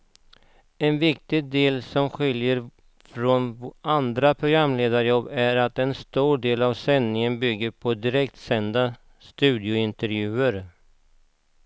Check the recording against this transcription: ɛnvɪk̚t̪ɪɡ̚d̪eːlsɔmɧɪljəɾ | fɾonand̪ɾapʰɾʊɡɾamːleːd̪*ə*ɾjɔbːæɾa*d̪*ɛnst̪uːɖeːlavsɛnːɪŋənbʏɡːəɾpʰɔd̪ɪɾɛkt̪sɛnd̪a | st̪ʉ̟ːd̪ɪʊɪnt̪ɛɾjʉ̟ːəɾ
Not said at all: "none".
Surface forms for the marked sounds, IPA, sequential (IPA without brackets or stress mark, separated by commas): a, t̪